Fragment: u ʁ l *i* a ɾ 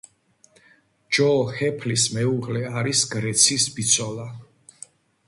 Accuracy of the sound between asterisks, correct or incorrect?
incorrect